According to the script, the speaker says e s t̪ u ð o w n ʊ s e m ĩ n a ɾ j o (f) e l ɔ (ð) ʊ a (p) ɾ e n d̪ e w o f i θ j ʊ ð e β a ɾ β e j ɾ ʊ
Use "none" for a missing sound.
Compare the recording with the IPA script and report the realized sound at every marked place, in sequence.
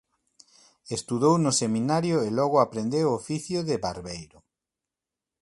none, ɣ, p

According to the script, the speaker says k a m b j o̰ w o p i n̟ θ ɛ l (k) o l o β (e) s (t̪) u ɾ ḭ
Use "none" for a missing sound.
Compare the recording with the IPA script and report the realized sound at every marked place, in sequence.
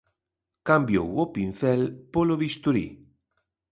p, i, t̪

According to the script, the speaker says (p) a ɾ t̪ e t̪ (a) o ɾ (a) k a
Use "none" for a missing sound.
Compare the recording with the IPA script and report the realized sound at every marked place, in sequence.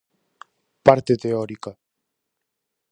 p, e, i

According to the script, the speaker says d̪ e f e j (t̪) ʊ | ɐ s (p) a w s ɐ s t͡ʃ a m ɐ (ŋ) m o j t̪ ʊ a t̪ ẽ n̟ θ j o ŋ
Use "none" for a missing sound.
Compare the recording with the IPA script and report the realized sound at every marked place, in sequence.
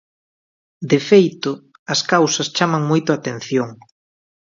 t̪, k, ŋ

